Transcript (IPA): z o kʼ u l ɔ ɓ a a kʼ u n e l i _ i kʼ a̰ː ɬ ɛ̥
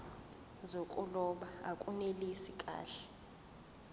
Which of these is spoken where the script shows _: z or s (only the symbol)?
s